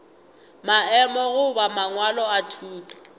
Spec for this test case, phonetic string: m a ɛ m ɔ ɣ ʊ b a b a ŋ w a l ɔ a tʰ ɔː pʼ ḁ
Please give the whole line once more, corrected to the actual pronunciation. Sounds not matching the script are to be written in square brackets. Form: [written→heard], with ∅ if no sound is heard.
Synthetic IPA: m a ɛ m ɔ ɣ ʊ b a [b→m] a ŋ w a l ɔ a tʰ [ɔː→uː] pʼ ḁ